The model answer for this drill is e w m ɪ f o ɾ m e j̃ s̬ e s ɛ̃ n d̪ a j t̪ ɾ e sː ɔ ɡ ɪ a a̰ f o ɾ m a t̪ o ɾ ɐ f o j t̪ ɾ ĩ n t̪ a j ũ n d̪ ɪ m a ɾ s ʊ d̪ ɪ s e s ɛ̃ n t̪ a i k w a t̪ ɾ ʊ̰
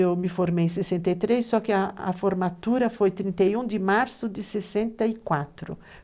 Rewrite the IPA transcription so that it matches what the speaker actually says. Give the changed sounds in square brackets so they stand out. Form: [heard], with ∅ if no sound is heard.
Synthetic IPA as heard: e w m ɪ f o ɾ m e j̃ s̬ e s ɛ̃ n [t̪] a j t̪ ɾ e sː ɔ [k] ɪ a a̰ f o ɾ m a t̪ [u] ɾ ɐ f o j t̪ ɾ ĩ n t̪ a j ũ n d̪ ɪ m a ɾ s ʊ d̪ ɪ s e s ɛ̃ n t̪ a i k w a t̪ ɾ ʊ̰